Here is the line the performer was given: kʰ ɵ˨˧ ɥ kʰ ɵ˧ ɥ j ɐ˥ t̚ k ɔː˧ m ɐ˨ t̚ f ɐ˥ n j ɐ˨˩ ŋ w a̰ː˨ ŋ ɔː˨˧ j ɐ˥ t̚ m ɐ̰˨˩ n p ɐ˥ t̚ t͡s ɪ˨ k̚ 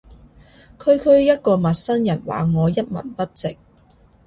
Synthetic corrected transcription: kʰ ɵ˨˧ ɥ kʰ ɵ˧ ɥ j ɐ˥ t̚ k ɔː˧ m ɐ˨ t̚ s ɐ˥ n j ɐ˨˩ n w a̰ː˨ ŋ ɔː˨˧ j ɐ˥ t̚ m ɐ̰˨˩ n p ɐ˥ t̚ t͡s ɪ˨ k̚